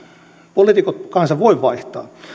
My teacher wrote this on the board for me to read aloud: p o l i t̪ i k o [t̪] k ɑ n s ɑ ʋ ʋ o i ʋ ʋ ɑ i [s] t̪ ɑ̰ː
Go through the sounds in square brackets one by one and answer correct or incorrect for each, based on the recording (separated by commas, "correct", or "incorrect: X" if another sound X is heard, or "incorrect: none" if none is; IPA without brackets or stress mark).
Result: correct, incorrect: h